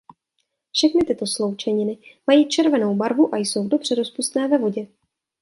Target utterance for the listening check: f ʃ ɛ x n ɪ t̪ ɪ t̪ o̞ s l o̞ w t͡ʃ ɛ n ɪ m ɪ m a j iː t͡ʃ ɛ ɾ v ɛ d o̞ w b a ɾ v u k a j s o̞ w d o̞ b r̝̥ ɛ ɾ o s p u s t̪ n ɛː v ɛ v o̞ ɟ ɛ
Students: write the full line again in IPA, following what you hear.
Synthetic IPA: f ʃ ɛ x n ɪ t̪ ɪ t̪ o̞ s l o̞ w t͡ʃ ɛ ɲ ɪ n ɪ m a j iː t͡ʃ ɛ ɾ v ɛ n o̞ w b a ɾ v u ʔ a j s o̞ w d o̞ b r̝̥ ɛ ɾ o s p u s t̪ n ɛː v ɛ v o̞ ɟ ɛ